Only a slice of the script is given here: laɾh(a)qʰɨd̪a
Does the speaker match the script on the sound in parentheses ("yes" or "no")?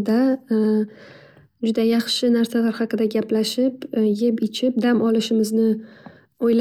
no